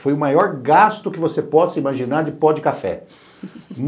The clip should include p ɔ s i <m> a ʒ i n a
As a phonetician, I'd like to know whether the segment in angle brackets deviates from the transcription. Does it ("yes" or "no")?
no